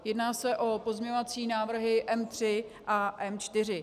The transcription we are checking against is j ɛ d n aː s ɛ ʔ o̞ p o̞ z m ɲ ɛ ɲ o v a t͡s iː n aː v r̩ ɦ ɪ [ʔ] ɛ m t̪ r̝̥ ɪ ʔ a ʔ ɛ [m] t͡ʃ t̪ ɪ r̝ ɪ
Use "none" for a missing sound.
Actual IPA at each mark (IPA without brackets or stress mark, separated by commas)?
ʔ, m